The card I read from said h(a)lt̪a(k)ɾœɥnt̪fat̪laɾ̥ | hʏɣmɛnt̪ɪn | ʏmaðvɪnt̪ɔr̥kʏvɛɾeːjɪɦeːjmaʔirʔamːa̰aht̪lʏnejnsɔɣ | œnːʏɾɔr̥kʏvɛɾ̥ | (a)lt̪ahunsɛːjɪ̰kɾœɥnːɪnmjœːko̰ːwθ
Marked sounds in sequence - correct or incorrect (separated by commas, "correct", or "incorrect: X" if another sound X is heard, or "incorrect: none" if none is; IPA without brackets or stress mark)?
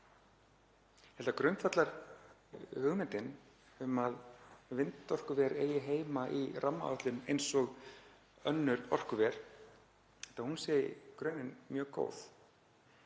incorrect: ɛ, correct, incorrect: ɛ